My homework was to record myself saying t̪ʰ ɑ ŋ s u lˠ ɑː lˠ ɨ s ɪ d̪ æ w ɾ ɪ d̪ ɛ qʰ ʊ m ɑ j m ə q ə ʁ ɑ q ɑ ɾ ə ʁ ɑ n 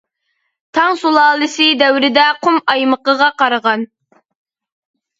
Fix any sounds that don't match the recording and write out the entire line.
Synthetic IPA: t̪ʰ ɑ ŋ s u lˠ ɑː lˠ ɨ s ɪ d̪ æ w ɾ ɪ d̪ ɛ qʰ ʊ m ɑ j m ə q ə ʁ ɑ q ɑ ɾ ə ʁ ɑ n